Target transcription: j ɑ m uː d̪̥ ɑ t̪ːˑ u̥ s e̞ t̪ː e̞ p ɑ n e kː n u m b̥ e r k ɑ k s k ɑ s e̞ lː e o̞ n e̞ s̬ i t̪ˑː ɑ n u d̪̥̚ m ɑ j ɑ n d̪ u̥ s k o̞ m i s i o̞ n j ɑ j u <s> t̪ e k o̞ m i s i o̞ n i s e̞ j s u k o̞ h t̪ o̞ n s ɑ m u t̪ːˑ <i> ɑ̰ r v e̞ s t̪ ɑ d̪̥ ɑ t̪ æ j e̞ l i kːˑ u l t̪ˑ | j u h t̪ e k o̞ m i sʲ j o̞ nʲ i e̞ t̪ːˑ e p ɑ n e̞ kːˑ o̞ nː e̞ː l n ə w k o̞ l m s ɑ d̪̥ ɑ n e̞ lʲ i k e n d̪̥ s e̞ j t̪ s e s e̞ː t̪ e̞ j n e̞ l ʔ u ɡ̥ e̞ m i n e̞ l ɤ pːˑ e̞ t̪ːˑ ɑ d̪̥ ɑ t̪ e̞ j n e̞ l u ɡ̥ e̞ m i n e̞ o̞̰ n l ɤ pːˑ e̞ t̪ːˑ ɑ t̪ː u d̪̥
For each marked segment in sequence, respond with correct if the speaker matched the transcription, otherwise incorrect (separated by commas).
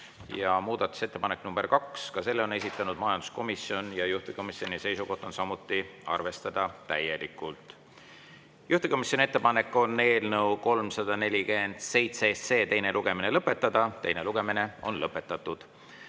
incorrect, correct